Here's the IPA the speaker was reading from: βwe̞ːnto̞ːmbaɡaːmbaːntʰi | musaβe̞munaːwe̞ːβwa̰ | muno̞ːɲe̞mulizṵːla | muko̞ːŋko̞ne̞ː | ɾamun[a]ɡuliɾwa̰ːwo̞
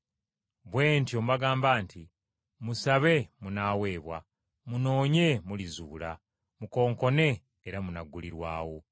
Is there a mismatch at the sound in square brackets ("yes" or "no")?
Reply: no